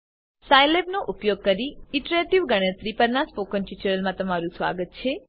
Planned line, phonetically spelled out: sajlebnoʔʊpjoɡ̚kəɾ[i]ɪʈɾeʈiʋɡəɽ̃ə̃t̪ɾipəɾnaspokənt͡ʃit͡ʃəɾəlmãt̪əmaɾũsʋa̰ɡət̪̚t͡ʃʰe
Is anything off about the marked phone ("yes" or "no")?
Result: no